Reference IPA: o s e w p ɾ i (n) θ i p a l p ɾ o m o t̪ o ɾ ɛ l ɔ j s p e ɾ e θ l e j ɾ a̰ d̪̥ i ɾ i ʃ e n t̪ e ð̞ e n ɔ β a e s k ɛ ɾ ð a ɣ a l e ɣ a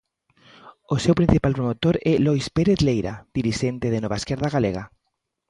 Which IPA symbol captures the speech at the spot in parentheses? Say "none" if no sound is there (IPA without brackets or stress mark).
n